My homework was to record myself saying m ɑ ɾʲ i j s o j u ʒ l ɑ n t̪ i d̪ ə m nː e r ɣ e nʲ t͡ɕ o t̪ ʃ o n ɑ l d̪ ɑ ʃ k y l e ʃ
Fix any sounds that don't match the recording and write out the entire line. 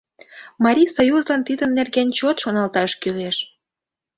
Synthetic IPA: m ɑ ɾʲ i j s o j u z l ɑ n t̪ i d̪ ə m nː e r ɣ e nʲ t͡ɕ o t̪ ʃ o n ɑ l t̪ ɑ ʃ k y l e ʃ